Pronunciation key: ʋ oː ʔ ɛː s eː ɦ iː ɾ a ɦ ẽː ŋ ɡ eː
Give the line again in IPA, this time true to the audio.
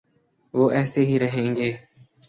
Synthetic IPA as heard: ʋ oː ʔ ɛː s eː ɦ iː ɾ ə ɦ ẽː ŋ ɡ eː